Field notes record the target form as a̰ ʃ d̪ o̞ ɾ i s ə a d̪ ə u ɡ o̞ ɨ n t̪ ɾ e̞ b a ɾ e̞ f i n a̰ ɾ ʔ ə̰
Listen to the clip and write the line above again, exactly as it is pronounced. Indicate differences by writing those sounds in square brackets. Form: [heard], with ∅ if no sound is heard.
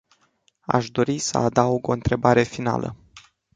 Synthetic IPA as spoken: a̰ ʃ d̪ o̞ ɾ i s ə a d̪ [a] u ɡ o̞ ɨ n t̪ ɾ e̞ b a ɾ e̞ f i n a̰ [l] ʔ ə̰